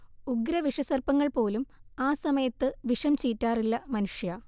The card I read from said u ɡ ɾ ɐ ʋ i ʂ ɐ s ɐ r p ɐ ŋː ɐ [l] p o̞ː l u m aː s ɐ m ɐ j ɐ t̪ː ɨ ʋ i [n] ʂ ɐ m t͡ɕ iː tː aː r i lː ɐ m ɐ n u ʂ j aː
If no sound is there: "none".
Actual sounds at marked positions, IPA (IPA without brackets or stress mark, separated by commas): ɭ, none